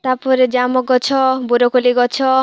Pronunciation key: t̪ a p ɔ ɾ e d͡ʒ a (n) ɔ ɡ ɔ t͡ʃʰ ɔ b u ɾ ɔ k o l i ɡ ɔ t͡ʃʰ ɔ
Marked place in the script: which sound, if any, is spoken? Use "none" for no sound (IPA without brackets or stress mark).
m